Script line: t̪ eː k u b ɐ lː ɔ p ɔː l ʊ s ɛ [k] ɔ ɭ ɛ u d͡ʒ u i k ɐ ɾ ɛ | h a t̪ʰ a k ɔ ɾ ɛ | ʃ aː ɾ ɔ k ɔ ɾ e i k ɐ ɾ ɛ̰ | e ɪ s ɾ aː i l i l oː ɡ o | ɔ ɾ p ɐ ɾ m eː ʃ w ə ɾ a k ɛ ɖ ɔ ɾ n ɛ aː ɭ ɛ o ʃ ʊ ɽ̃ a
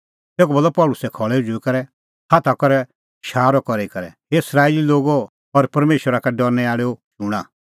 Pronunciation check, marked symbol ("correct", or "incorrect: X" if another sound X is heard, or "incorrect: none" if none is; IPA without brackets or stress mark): incorrect: kʰ